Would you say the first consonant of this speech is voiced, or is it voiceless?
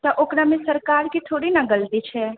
voiceless